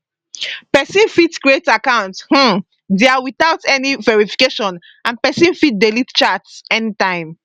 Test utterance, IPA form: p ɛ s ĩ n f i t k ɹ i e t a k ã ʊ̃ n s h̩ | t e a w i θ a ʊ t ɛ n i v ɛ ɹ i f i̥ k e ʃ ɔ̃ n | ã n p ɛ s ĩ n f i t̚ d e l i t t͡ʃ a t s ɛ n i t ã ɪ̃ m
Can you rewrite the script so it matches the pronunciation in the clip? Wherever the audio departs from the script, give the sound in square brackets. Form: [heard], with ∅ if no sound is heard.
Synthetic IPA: p ɛ s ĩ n f i t k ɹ i e t a k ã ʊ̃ n [t] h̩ | [d] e a w i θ a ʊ t ɛ n i v ɛ ɹ i f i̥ k e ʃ ɔ̃ n | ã n p ɛ s ĩ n f i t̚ d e l i t t͡ʃ a t s ɛ n i t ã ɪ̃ m